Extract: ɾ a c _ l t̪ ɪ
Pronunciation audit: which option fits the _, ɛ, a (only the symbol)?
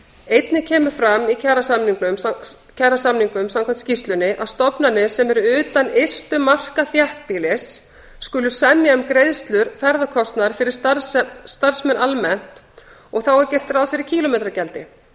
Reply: ɛ